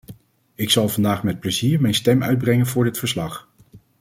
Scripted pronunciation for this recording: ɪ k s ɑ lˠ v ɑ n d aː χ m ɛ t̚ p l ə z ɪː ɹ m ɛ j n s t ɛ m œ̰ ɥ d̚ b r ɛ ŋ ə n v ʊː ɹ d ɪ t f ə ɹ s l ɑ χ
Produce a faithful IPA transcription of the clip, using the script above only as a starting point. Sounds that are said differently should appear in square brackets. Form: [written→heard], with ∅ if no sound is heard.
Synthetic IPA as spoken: ɪ k s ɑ lˠ v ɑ n d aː χ m ɛ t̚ p l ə z [ɪː→iː] ɹ m ɛ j n s t ɛ m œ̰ ɥ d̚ b r ɛ ŋ ə n v ʊː ɹ d ɪ t f ə ɹ s l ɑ χ